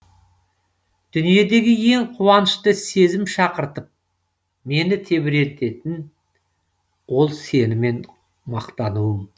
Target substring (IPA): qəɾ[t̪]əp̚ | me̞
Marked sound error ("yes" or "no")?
no